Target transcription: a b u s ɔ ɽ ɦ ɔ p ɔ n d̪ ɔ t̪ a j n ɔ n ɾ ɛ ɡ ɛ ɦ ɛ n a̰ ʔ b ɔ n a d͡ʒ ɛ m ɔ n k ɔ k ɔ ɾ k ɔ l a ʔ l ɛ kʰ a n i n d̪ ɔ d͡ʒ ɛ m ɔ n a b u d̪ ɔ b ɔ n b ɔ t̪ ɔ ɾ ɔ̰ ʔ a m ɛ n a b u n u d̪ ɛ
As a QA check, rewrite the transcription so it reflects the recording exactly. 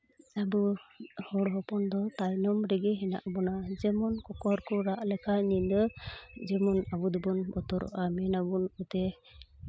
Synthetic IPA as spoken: a b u h ɔ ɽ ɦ ɔ p ɔ n d̪ ɔ t̪ a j n ɔ m ɾ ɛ ɡ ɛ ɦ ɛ n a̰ ʔ b ɔ n a d͡ʒ ɛ m ɔ n k ɔ k ɔ ɾ k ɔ ɾ a ʔ l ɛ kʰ a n i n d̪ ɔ d͡ʒ ɛ m ɔ n a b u d̪ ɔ b ɔ n b ɔ t̪ ɔ ɾ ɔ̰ ʔ a m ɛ n a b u n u t̪ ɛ